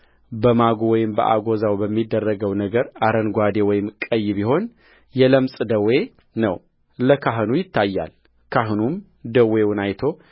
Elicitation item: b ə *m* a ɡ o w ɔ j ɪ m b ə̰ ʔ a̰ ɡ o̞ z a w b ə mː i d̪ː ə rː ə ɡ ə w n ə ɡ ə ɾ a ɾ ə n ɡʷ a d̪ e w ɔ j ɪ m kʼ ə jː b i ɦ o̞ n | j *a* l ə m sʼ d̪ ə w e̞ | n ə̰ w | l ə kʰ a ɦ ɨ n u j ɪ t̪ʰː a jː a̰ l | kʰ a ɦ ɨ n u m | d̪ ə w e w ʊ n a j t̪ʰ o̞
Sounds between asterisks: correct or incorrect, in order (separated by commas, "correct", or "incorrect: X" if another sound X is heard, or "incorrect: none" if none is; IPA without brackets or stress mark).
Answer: correct, incorrect: ɛ